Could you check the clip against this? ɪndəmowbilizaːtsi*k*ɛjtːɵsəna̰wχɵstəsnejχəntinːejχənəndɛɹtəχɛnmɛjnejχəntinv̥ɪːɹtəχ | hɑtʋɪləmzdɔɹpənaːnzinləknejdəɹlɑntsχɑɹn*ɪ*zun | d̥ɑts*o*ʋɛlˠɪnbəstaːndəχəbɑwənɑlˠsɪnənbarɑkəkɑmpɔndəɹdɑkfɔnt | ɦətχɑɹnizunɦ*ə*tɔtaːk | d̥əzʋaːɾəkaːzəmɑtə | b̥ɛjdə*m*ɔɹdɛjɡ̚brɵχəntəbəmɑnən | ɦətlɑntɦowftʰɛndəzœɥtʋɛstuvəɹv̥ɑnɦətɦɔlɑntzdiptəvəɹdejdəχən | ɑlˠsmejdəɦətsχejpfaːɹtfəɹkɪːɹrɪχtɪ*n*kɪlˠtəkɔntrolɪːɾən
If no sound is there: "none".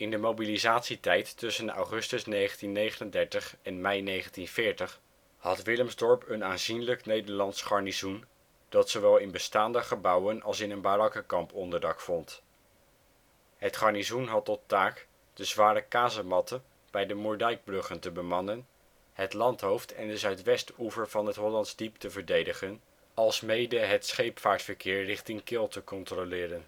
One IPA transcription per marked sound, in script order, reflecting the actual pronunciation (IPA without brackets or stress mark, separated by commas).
t, i, o, ɑ, m, ŋ